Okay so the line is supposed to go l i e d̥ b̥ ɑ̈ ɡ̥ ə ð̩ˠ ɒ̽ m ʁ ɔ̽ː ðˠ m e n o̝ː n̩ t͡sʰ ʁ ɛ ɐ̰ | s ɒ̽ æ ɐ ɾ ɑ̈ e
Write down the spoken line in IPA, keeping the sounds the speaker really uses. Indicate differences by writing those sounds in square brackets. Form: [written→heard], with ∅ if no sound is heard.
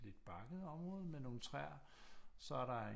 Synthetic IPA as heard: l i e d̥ b̥ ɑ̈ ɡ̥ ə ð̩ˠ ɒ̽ m ʁ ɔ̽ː ðˠ m e n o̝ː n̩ t͡sʰ ʁ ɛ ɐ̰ | s ɒ̽ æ ɐ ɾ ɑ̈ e